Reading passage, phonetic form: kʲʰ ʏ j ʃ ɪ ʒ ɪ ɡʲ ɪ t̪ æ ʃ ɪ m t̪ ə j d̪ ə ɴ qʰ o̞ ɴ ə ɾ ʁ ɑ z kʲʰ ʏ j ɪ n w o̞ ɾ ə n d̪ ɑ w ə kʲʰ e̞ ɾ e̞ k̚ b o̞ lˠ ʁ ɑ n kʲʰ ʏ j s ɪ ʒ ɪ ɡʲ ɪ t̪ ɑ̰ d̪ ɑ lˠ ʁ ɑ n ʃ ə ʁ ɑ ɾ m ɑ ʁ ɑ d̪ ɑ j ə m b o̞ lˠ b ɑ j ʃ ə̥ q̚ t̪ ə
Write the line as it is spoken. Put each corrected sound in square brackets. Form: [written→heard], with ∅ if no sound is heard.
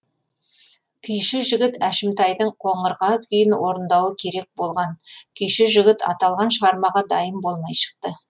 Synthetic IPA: kʲʰ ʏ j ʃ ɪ ʒ ɪ ɡʲ ɪ t̪ æ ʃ ɪ m t̪ [ə→ɑ] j d̪ ə ɴ qʰ o̞ ɴ ə ɾ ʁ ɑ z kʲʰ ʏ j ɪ n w o̞ ɾ ə n d̪ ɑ w ə kʲʰ e̞ ɾ e̞ k̚ b o̞ lˠ ʁ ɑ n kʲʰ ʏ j [s→ʃ] ɪ ʒ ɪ ɡʲ ɪ t̪ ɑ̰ [d̪→t̪] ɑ lˠ ʁ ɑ n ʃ ə ʁ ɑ ɾ m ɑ ʁ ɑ d̪ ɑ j ə m b o̞ lˠ [b→m] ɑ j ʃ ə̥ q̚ t̪ ə